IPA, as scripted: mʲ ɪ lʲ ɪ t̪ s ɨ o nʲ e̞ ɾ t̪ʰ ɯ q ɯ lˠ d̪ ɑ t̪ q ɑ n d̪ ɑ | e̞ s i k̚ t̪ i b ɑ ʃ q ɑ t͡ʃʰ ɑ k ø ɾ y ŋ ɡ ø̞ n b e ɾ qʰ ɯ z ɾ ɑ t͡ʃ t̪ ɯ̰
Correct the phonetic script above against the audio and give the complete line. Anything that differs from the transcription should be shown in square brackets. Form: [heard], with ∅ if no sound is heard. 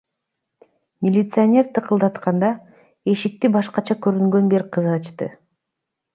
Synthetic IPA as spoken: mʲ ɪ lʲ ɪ t̪ s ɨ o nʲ e̞ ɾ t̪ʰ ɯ q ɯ lˠ d̪ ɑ t̪ q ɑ n d̪ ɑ | e̞ [ʃ] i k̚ t̪ i b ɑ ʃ q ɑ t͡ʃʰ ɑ k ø ɾ y ŋ ɡ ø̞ n b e ɾ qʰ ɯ z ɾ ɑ t͡ʃ t̪ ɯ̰